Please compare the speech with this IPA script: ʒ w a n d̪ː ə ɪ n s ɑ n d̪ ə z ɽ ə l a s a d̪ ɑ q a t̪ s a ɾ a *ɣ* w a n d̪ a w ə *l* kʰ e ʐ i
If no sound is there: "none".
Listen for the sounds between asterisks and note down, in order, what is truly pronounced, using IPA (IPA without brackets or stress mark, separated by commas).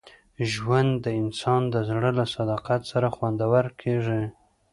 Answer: x, ɾ